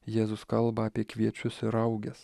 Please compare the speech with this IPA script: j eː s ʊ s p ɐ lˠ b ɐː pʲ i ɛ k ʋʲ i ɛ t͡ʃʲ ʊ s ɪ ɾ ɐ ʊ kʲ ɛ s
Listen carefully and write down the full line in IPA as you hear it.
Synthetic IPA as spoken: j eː z ʊ s k ɐ lˠ b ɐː pʲ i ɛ k ʋʲ i ɛ t͡ʃʲ ʊ s ɪ ɾ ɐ ʊ ɡʲ ɛ s